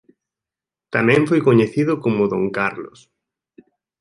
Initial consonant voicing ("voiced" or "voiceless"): voiceless